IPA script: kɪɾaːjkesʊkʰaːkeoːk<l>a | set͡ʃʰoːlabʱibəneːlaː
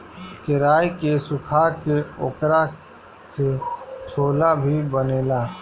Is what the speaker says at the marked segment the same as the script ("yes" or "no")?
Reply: no